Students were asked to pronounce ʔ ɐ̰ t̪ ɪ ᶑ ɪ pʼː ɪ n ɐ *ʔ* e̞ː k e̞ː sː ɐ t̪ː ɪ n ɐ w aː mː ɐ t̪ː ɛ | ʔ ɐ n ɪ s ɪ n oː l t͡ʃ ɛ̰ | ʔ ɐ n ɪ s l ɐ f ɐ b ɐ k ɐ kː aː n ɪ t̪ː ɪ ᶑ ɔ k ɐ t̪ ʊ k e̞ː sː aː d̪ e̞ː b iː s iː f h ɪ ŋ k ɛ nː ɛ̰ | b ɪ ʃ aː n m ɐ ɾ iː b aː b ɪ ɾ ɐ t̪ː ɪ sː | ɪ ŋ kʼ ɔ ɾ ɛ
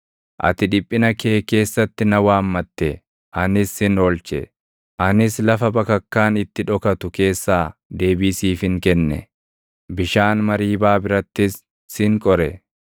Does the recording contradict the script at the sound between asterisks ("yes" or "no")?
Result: yes